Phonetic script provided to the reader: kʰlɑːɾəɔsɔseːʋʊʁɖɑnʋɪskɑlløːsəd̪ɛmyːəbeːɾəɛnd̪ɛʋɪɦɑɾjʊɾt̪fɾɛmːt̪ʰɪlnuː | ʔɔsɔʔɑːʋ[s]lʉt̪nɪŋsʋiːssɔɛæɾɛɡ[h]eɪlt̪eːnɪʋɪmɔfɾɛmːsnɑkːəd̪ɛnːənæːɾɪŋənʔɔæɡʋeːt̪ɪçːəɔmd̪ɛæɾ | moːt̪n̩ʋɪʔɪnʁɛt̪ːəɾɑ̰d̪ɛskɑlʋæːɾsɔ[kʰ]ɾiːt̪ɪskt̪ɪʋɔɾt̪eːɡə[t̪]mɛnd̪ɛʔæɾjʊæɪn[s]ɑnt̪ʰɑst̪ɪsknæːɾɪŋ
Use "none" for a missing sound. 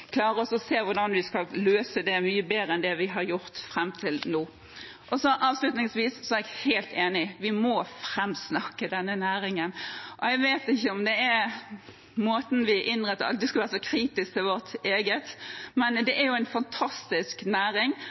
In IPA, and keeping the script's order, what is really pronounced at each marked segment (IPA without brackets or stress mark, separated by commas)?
s, h, kʰ, t̪, f